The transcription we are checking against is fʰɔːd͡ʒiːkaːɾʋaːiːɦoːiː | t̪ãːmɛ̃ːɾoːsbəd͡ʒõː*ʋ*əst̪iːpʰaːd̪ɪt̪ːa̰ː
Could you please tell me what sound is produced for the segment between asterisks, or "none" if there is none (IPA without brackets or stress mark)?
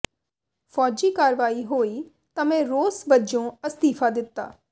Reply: none